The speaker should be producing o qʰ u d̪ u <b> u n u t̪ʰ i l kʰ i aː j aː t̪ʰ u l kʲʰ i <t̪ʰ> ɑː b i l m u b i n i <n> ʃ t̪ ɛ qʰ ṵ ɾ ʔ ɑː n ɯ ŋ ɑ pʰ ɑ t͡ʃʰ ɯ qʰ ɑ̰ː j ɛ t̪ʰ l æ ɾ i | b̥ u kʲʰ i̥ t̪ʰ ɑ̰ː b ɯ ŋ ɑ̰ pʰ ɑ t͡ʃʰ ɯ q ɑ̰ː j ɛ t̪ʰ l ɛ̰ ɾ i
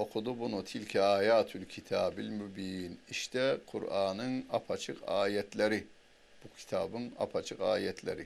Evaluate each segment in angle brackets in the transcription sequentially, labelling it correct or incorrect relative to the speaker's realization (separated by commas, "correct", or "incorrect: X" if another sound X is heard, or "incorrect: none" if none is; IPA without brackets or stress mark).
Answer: correct, correct, incorrect: none